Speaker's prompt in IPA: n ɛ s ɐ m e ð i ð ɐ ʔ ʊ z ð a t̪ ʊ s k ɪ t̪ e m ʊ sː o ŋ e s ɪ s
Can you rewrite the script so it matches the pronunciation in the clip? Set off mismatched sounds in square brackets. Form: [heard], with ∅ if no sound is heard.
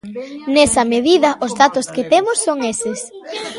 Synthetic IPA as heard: n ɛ s ɐ m e ð i ð ɐ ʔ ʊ z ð a t̪ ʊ s k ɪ t̪ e m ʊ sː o ŋ e s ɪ s